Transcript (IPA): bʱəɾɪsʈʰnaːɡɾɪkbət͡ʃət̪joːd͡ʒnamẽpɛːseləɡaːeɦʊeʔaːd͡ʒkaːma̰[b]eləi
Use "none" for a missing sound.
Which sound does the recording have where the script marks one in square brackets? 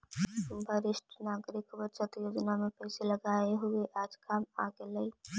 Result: ɡ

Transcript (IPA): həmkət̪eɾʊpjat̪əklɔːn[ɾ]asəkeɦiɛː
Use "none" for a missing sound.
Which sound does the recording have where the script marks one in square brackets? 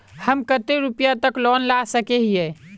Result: l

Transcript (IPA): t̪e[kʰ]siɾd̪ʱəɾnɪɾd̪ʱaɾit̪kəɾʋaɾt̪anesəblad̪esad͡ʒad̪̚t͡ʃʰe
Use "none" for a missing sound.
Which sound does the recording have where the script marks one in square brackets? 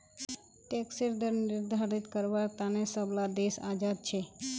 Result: k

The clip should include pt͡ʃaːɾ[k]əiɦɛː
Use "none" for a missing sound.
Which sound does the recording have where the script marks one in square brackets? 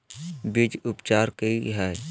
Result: k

